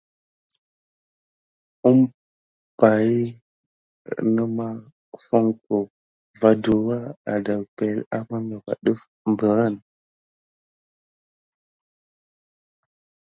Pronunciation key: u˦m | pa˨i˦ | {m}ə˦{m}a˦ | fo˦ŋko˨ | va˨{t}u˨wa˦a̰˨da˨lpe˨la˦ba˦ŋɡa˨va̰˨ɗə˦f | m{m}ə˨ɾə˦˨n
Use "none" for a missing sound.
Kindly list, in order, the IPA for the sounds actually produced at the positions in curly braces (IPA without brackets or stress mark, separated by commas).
n, m, d, b